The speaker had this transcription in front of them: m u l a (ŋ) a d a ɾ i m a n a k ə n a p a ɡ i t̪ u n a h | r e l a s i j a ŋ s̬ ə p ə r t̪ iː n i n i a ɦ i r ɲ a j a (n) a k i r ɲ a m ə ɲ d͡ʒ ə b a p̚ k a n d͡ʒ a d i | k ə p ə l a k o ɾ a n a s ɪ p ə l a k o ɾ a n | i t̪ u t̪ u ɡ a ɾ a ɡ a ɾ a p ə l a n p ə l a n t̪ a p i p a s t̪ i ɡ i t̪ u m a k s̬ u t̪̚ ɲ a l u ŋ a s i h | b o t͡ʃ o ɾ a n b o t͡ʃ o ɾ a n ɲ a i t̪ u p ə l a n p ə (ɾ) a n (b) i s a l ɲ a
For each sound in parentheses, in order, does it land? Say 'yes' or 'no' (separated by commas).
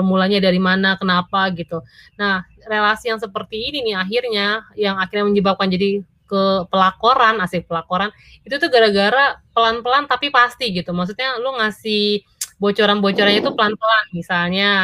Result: no, no, no, no